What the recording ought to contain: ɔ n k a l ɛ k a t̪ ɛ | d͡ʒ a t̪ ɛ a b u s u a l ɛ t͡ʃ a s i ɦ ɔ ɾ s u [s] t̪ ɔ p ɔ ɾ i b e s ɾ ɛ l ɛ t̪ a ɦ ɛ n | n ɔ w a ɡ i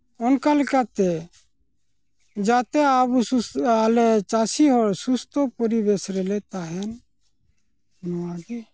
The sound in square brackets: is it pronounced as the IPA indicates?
yes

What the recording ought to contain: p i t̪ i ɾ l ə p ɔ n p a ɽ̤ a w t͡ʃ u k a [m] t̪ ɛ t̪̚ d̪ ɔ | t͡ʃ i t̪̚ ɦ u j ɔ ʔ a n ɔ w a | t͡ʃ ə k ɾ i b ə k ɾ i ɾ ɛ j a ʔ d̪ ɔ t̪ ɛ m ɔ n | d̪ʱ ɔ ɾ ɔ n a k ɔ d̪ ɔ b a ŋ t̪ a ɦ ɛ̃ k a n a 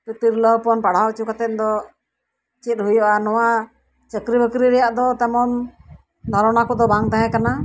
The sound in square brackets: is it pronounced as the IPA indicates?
no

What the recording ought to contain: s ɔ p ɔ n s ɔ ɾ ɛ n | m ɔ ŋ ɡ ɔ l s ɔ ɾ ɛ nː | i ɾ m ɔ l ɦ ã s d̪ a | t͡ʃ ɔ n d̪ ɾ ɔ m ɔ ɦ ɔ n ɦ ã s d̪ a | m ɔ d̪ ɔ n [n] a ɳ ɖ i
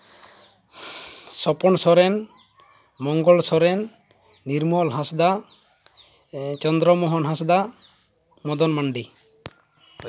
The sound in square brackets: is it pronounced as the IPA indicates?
no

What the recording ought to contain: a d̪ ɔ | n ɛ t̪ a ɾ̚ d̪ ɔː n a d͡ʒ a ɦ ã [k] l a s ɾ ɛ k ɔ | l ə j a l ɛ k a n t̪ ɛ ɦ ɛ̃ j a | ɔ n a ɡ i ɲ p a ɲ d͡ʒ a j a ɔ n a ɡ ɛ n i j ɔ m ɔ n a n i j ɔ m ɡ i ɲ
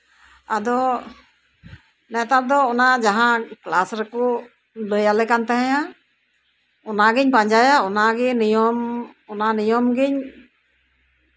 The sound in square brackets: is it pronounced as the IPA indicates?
yes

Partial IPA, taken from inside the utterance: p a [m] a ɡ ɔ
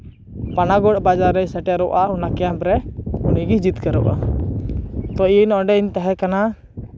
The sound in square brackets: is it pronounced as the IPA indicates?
no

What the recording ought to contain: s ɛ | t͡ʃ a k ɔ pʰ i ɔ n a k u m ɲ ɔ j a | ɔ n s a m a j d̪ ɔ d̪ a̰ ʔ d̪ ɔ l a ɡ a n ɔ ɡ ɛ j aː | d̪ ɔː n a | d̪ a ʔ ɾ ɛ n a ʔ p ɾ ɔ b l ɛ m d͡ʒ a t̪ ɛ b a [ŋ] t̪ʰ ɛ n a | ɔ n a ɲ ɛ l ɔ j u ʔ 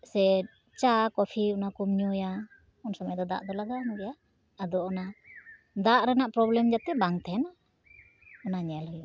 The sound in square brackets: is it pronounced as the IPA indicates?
yes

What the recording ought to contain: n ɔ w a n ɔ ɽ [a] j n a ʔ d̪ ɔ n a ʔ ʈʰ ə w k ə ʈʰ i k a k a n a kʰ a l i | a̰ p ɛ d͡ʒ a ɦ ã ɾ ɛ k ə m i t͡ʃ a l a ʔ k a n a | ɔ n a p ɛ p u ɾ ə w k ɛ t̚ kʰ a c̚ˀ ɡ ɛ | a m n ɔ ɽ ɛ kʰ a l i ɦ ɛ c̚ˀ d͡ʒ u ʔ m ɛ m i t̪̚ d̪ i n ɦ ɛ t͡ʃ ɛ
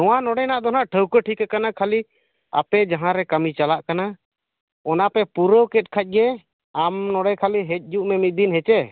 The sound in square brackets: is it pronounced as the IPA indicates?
no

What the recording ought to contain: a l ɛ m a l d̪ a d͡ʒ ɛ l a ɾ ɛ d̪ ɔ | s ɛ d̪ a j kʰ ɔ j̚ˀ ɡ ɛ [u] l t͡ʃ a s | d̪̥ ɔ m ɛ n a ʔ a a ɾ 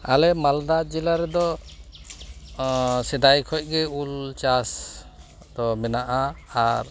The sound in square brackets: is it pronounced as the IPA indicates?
yes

